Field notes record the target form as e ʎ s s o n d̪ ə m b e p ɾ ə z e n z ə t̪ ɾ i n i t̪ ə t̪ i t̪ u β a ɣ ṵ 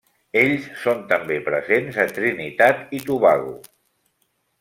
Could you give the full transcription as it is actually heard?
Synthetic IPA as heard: e ʎ s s o n t̪ ə m b e p ɾ ə z e n z ə t̪ ɾ i n i t̪ a t̪ i t̪ u β a ɣ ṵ